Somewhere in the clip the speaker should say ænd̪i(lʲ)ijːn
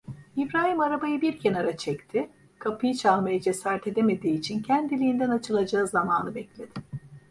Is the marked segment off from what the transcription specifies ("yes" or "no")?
no